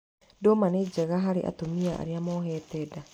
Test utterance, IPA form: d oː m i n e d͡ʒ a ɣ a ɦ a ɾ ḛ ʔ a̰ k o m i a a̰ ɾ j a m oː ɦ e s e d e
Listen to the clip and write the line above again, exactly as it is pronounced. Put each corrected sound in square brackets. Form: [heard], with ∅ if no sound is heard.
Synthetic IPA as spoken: d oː m [a] n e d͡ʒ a ɣ a ɦ a ɾ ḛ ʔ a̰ [t] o m i a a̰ ɾ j a m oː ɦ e [t] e d [a]